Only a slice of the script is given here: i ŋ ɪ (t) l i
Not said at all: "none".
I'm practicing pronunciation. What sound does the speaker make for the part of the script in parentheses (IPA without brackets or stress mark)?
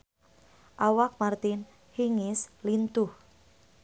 s